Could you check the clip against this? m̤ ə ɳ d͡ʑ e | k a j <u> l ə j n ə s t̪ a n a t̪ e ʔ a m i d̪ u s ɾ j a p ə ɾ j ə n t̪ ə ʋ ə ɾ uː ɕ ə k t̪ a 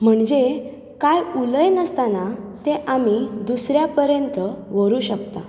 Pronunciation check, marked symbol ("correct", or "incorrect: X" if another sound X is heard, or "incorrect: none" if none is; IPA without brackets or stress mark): correct